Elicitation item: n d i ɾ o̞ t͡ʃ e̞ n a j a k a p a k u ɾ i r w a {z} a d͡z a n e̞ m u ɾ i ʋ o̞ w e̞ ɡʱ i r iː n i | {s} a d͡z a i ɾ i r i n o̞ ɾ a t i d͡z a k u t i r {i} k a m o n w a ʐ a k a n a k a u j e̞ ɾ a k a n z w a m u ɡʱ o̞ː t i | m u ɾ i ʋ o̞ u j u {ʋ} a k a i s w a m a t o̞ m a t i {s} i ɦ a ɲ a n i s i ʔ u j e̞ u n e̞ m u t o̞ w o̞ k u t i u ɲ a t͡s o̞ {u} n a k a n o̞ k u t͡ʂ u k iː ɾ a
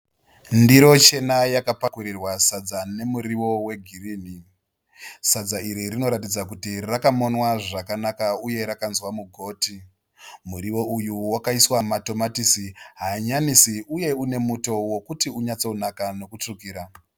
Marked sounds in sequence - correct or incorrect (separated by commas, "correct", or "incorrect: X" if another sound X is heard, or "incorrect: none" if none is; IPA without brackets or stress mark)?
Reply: incorrect: s, correct, incorrect: a, incorrect: w, correct, correct